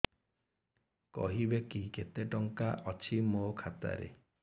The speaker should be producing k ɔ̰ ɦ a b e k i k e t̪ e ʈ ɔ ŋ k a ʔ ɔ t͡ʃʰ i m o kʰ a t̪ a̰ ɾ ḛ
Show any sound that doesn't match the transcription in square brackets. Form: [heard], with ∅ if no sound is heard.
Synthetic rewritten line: k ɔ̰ ɦ [i] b e k i k e t̪ e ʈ ɔ ŋ k a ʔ ɔ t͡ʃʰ i m o kʰ a t̪ a̰ ɾ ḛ